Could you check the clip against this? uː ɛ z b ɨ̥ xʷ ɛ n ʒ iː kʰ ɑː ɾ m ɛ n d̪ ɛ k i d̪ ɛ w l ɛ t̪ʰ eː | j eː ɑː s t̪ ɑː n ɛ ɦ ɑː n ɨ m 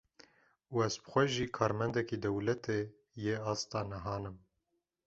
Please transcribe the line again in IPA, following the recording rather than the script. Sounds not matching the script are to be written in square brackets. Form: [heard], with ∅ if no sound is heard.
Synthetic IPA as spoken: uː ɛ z b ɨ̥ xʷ ɛ [∅] ʒ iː kʰ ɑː ɾ m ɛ n d̪ ɛ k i d̪ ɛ w l ɛ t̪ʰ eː | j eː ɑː s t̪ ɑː n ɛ ɦ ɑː n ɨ m